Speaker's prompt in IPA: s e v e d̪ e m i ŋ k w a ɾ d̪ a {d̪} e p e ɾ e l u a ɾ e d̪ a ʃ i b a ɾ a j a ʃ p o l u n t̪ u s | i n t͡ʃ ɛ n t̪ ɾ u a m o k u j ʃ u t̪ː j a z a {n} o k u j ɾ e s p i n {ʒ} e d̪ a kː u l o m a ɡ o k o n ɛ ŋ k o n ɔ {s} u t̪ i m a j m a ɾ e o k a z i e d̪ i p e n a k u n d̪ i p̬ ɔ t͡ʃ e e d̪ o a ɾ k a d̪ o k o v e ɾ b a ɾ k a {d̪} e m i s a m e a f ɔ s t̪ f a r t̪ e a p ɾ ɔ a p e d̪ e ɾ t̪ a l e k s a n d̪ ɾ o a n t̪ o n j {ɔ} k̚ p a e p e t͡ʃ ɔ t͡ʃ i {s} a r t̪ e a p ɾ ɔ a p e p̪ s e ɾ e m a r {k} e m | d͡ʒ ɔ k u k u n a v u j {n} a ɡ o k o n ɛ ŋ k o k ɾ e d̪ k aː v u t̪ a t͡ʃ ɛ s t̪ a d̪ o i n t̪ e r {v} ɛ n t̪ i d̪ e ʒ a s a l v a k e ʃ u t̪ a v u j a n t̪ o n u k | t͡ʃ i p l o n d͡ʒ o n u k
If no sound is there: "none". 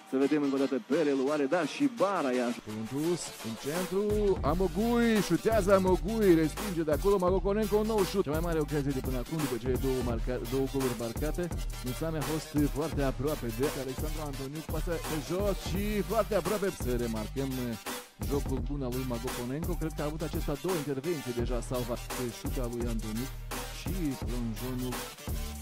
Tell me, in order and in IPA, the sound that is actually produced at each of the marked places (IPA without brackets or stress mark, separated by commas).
t̪, m, d͡ʒ, ʃ, t̪, u, f, k, m, v